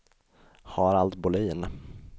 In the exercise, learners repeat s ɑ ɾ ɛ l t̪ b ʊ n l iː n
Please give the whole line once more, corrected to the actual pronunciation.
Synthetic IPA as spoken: h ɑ ɾ a l t̪ b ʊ l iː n